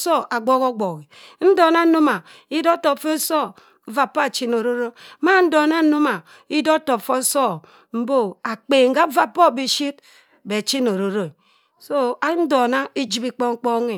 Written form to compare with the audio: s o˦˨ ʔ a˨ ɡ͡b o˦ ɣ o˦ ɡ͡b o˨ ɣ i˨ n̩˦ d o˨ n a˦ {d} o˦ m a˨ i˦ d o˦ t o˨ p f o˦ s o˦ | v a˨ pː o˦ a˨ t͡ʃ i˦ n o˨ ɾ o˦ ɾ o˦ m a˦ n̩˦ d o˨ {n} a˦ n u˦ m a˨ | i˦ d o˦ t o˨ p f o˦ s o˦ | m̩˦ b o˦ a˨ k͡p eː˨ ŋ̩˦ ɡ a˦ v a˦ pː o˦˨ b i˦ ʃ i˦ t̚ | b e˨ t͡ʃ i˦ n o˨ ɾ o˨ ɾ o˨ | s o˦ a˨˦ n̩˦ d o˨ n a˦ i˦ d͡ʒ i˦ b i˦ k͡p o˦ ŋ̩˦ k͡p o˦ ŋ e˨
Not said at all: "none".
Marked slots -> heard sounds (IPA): n, n

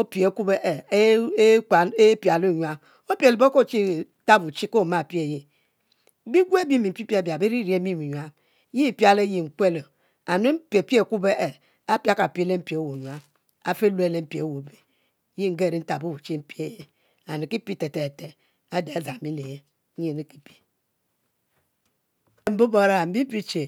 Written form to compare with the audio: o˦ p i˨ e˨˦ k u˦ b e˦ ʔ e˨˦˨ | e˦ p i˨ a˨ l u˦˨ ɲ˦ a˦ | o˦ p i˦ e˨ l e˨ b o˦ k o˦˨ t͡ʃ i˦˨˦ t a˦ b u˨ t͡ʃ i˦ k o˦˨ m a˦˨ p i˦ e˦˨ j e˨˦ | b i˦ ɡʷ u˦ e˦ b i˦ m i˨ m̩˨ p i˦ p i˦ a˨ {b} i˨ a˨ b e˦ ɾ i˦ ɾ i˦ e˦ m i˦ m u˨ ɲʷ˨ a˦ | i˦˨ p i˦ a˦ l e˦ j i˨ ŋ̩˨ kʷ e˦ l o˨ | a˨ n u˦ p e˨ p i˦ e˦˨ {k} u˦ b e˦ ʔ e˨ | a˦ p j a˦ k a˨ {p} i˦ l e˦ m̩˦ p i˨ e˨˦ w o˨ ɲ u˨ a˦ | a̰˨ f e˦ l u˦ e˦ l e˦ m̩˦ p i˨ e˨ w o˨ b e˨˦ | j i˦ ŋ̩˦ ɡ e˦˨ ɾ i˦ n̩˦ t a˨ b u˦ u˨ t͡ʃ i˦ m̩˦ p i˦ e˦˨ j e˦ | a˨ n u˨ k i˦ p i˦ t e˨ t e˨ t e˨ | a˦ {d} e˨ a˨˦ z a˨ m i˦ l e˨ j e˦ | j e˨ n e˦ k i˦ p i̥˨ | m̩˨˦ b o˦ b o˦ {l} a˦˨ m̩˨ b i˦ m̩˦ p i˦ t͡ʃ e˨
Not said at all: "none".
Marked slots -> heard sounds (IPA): b, k, p, d, ɾ

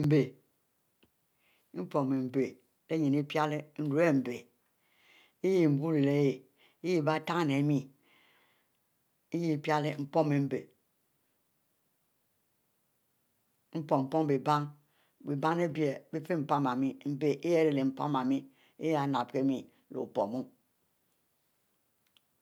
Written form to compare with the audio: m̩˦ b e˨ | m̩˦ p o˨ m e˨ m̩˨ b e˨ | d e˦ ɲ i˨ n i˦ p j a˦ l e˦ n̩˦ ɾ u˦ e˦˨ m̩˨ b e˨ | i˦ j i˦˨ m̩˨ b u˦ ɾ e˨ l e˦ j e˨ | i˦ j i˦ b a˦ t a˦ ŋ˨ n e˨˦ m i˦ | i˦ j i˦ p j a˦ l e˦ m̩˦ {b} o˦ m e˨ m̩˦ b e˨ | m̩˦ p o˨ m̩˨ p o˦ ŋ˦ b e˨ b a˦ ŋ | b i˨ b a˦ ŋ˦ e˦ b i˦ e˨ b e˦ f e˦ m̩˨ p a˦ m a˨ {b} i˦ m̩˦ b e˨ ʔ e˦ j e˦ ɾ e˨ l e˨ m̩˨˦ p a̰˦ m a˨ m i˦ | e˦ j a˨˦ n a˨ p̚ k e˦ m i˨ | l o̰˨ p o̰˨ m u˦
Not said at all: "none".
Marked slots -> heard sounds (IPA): p, m

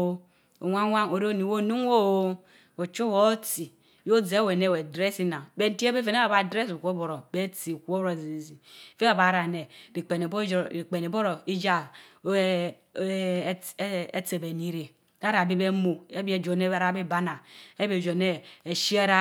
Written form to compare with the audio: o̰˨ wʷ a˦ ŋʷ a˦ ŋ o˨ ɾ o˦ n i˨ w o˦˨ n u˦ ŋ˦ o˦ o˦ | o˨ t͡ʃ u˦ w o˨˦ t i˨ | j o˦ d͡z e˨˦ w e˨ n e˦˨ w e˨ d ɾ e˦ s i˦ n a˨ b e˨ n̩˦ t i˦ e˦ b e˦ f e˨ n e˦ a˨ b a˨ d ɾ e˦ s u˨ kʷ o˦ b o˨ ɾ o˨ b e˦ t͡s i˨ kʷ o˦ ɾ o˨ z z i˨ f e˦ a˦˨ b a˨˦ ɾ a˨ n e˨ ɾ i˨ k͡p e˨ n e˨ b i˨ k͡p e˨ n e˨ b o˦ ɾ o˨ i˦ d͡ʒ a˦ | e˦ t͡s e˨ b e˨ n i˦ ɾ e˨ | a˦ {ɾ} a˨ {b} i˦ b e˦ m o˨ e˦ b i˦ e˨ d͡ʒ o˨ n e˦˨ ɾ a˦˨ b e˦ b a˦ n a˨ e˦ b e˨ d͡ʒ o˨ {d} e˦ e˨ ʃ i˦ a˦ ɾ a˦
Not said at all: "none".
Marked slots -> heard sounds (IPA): ɾ, b, n

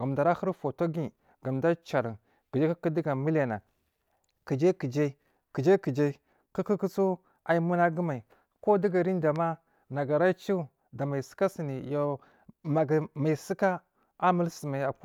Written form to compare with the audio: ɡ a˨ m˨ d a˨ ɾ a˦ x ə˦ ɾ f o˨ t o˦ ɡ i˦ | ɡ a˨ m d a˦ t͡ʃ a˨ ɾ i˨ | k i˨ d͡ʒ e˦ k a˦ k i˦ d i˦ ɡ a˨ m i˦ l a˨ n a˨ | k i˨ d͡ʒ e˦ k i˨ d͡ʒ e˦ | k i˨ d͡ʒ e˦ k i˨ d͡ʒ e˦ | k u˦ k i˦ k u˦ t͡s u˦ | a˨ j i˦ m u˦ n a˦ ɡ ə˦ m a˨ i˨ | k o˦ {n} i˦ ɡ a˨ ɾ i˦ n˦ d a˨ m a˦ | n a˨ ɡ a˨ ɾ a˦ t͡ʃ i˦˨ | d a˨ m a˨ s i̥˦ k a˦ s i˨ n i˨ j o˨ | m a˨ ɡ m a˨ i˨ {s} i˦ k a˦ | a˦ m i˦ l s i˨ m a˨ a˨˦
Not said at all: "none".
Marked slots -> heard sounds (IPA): d, s

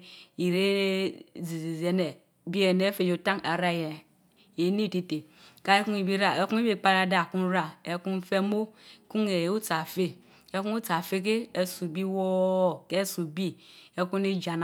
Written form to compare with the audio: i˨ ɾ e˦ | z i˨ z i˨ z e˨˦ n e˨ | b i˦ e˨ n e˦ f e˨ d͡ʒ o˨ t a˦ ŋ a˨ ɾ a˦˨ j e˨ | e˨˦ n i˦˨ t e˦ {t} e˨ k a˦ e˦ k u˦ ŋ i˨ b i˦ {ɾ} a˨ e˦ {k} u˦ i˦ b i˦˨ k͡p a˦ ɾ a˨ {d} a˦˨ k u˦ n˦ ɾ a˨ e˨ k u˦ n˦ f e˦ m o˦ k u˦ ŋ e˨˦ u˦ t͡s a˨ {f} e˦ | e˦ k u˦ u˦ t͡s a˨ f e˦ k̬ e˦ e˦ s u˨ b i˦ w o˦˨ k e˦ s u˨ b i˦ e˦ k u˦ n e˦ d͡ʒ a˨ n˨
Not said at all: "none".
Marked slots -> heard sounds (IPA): t, ɾ, k, d, f

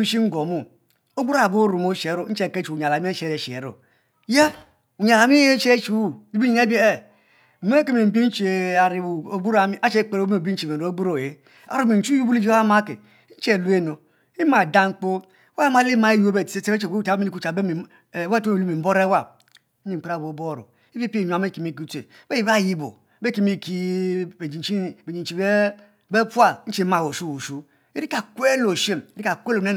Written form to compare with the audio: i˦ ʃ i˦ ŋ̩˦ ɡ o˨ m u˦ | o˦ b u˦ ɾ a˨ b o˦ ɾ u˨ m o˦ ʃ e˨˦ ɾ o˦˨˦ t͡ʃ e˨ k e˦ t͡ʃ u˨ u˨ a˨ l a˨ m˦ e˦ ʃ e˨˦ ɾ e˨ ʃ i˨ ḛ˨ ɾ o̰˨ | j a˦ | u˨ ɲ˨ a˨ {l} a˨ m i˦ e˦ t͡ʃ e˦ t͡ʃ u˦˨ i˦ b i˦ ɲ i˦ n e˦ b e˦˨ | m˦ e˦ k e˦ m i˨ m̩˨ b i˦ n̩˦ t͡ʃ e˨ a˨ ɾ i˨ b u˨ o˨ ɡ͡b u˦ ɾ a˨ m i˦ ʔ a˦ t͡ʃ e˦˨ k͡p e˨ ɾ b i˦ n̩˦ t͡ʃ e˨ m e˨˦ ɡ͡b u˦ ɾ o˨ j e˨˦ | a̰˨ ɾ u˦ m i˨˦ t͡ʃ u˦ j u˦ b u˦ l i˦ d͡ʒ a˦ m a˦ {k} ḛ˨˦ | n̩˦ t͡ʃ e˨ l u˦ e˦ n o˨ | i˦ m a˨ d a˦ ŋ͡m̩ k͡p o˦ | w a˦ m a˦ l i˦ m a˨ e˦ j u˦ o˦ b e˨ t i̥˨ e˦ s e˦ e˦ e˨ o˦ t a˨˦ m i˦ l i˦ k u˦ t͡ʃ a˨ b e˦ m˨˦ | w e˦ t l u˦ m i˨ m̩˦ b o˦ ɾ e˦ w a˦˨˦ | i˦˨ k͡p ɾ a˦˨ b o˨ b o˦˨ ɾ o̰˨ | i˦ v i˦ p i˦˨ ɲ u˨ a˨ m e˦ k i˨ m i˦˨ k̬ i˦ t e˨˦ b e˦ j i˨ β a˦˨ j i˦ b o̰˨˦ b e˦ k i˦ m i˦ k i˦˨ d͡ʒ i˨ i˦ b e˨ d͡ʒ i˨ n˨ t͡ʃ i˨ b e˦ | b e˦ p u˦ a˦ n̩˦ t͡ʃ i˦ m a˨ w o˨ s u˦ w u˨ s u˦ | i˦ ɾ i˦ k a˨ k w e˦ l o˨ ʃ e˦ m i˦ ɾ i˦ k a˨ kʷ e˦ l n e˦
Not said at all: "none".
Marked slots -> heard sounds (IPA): l, k

